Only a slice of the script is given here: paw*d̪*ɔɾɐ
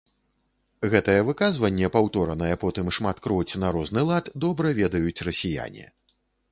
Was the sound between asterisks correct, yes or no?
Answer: no